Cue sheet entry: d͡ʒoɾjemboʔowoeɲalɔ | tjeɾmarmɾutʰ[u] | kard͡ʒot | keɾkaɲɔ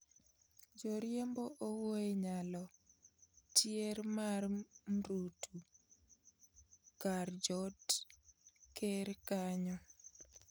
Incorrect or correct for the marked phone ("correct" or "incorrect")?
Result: correct